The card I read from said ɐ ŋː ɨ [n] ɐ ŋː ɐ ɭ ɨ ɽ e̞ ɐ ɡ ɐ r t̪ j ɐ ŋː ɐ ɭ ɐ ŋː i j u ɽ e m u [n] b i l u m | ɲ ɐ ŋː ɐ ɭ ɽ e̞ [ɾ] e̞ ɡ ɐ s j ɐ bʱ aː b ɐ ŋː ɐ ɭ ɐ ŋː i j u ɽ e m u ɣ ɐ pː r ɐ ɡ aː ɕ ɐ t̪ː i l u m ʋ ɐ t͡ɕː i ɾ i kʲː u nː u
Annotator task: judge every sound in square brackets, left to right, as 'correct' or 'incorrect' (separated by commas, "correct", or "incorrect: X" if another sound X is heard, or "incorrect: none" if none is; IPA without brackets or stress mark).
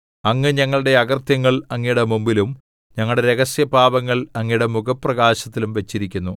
incorrect: ɲ, incorrect: m, correct